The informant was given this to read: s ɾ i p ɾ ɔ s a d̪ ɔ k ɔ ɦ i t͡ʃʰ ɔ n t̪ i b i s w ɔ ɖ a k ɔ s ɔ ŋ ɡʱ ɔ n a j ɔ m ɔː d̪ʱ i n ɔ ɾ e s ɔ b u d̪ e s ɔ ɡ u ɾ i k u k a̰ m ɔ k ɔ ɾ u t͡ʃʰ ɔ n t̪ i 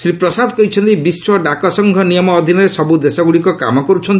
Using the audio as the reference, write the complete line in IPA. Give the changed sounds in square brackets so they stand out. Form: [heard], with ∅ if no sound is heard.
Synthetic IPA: s ɾ i p ɾ ɔ s a d̪ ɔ k ɔ ɦ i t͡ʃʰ ɔ n t̪ i b i s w ɔ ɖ a k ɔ s ɔ ŋ ɡʱ ɔ n [i] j ɔ m ɔː d̪ʱ i n ɔ ɾ e s ɔ b u d̪ e s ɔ ɡ u [ɽ] i k [ɔ] k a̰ m ɔ k ɔ ɾ u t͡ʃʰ ɔ n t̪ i